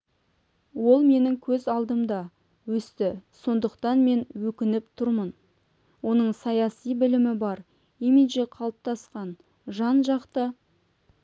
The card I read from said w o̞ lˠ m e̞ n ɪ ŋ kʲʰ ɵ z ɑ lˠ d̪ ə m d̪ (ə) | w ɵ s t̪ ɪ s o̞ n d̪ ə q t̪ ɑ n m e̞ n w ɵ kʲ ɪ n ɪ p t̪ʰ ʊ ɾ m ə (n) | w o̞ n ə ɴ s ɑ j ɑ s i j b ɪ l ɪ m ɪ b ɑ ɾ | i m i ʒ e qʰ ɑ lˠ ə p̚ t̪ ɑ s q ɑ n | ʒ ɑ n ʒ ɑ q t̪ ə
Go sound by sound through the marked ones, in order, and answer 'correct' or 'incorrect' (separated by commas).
incorrect, correct